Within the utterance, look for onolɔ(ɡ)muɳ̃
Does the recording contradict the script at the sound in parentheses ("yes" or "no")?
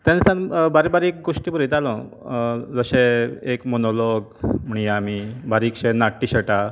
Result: no